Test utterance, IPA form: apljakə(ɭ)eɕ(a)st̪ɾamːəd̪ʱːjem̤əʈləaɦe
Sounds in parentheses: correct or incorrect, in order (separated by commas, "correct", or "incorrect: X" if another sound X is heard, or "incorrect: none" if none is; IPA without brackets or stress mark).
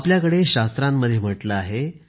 incorrect: ɽ, correct